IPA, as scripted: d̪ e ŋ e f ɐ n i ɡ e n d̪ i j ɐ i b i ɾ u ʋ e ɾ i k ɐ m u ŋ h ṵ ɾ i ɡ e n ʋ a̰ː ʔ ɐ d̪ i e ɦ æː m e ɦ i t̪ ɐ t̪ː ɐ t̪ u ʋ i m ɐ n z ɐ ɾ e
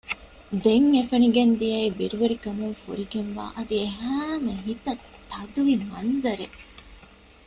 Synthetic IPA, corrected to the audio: d̪ e ŋ e f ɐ n i ɡ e n d̪ i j ɐ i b i ɾ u ʋ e ɾ i k ɐ m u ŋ f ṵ ɾ i ɡ e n ʋ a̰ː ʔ ɐ d̪ i e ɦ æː m e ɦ i t̪ ɐ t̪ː ɐ d̪ u ʋ i m ɐ n z ɐ ɾ e